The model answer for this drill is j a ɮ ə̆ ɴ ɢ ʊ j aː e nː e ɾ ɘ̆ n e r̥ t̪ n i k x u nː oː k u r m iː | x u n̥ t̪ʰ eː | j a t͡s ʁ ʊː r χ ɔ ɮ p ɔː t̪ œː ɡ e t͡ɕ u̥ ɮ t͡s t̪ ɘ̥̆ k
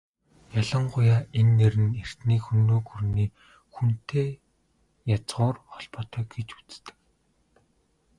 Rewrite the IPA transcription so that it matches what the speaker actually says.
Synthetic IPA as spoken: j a ɮ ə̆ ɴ ɢ ʊ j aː e nː e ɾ ɘ̆ n e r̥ t̪ n iː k x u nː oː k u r n iː | x u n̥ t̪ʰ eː | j a t͡s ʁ ʊː r χ ɔ ɮ p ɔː t̪ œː ɡ e t͡ɕ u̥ t͡s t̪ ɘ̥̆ k

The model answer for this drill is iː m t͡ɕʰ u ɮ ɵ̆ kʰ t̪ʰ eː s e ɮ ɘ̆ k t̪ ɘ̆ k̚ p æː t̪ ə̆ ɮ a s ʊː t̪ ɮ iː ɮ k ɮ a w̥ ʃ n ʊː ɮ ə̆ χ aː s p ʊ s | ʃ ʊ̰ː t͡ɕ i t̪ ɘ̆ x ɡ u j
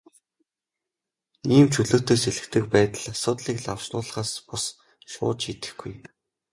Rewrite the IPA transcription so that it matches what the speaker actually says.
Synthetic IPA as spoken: iː m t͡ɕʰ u ɮ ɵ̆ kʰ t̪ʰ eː s e ɮ ɘ̆ k t̪ ɘ̆ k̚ p æː t̪ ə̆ ɮ a s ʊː t̪ ɮ iː k ɮ a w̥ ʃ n ʊː ɮ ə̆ χ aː s p ʊ s | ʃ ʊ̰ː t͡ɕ i t̪ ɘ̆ x ɡ u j

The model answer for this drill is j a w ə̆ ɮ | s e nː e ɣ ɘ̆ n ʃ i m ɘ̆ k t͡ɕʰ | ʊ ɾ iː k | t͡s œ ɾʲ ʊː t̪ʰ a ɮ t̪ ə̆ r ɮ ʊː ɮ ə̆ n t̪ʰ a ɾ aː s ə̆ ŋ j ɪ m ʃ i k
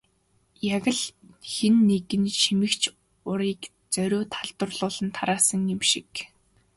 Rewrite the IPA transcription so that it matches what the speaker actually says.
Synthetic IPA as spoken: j a ɣ ə̆ ɮ | x e nː e ɣ ɘ̆ n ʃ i m ɘ̆ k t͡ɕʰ | ʊ ɾ iː k | t͡s œ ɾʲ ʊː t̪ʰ a ɮ t̪ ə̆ r ɮ ʊː ɮ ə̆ n t̪ʰ a ɾ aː s ə̆ ŋ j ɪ m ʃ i k

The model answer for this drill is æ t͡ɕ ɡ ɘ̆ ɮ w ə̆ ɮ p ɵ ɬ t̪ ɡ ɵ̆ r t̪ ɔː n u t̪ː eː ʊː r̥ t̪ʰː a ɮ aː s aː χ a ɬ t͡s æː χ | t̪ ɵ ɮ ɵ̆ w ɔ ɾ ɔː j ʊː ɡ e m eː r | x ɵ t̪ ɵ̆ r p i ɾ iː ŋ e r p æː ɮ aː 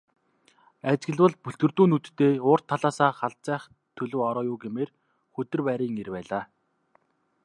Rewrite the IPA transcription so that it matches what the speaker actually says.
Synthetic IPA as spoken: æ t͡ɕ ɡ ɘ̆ ɮ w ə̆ ɮ p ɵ ɬ t̪ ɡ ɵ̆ r t̪ uː n u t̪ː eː ʊː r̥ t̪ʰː a ɮ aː s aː χ a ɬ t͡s æː χ | t̪ʰ ɵ ɮ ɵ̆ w ɔ ɾ ɔː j ʊː ɡ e m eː r | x ɵ t̪ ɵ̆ r p æ ɾ iː ŋ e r p æː ɮ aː

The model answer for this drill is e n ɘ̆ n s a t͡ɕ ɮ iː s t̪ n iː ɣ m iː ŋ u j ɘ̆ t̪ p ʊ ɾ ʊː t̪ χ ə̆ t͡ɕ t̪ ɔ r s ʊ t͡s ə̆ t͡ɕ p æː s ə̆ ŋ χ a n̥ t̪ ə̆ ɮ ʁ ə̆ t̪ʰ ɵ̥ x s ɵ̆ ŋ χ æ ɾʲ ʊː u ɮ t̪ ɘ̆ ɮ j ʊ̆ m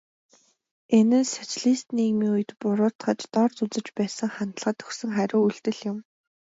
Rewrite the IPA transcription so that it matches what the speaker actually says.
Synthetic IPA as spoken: e n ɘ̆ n s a t͡ɕ ɮ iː s t̪ n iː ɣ m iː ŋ u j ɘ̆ t̪ p ʊ ɾ ʊː t̪ χ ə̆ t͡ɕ t̪ ɔ r t͡s ʊ t͡s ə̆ t͡ɕ p æː s ə̆ ŋ χ a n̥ t̪ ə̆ ɮ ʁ ə̆ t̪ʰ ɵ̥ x s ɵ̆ ŋ χ æ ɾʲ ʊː u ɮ t̪ ɘ̆ ɮ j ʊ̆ m

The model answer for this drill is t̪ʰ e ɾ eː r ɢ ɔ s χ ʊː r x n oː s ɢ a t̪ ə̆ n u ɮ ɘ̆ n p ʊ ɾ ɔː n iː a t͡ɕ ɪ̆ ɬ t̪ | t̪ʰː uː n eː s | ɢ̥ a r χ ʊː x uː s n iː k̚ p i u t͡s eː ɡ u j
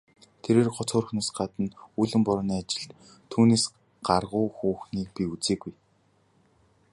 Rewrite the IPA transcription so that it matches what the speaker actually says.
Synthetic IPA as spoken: t̪ʰ e ɾ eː r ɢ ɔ t͡s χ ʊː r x n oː s ɢ a t̪ ə̆ n u ɮ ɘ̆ m p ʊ ɾ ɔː n iː a t͡ɕ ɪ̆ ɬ t̪ | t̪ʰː uː n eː s | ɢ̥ a r ʁ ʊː x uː x n iː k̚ p i u t͡s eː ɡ u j

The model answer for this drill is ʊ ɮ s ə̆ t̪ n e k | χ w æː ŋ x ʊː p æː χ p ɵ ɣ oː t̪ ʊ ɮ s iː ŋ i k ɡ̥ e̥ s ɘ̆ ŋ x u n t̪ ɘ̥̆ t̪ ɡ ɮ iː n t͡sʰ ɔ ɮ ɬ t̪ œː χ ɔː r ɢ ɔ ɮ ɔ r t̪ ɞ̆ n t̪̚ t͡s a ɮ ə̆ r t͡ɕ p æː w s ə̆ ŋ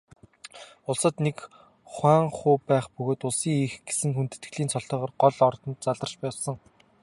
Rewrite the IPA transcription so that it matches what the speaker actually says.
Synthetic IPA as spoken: ʊ ɮ s ə̆ t̪ n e k | χ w æː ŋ χ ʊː p æː χ p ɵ ɣ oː t̪ ʊ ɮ s iː ŋ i x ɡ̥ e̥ s ɘ̆ ŋ x u n t̪ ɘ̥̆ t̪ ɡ ɮ iː n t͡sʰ ɔ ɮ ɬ t̪ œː ʁ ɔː r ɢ ɔ ɮ ɔ r t̪ ɞ̆ n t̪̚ t͡s a ɮ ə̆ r t͡ɕ p æː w s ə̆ ŋ

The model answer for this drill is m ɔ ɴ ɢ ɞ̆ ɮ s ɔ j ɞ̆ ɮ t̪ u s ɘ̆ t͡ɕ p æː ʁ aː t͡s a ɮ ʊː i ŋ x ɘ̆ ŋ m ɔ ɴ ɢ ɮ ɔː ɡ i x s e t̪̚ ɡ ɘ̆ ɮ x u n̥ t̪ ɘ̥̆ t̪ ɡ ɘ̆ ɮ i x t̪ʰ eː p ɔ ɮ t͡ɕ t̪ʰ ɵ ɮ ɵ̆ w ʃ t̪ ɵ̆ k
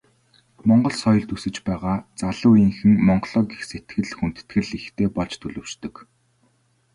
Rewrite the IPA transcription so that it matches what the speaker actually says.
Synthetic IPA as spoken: m ɔ ɴ ɢ ɞ̆ ɮ s ɔ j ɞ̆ ɮ t̪ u s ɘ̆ t͡ɕ p æː ʁ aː t͡s a ɮ ʊː i ŋ x ɘ̆ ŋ m ɔ ɴ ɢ ɮ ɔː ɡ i x s e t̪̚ ɡ ɘ̆ ɮ x u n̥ t̪ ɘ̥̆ t̪ ɡ ɘ̆ ɮ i x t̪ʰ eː p ɔ ɮ t͡ɕ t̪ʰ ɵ ɮ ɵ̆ w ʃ t̪ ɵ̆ k

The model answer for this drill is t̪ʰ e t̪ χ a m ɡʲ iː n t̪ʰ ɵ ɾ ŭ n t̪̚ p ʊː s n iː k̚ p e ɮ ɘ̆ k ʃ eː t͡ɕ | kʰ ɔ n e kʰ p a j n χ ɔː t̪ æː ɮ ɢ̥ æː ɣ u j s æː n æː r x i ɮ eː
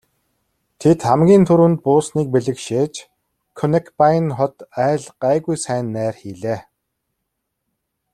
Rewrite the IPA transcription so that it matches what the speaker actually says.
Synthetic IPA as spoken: t̪ʰ e t̪ χ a m ɡʲ iː n t̪ʰ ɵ ɾ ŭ n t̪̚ p ʊː s n iː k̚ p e ɮ ɘ̆ k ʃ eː t͡ɕ | kʰ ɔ n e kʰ p a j n χ ɔ t̪ æː ɮ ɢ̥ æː ɣ u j s æː nː æː r x iː ɮ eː

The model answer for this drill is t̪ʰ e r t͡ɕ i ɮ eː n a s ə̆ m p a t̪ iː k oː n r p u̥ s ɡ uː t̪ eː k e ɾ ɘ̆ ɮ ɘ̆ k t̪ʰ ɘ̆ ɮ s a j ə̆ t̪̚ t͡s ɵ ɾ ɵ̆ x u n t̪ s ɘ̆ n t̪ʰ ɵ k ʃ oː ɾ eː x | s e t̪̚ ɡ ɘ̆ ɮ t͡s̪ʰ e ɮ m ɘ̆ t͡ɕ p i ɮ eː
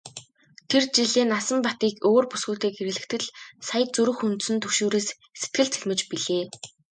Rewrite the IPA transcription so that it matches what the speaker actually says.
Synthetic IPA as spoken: t̪ʰ e r t͡ɕ i ɮ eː n a s ə̆ m p a t̪ iː k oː r p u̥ s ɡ uː t̪ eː k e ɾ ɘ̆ ɮ ɘ̆ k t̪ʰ ɘ̆ ɮ s a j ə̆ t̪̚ t͡s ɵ ɾ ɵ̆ x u n t̪ s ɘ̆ n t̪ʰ ɵ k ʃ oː ɾ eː s | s e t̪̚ ɡ ɘ̆ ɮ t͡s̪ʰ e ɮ m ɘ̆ t͡ɕ p i ɮ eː

